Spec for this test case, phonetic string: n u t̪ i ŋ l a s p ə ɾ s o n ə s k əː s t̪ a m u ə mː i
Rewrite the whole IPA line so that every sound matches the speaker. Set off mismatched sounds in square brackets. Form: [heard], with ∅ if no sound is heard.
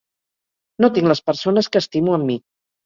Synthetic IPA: n [o] t̪ i ŋ l [ə] s p ə ɾ s o n ə s k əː s t̪ [i] m u ə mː i